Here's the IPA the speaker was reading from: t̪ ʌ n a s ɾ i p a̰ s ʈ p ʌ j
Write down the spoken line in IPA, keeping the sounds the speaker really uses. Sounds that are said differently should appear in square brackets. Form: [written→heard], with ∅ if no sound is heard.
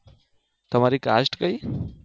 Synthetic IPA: t̪ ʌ [n→m] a [s→∅] ɾ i [p→k] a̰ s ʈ [p→k] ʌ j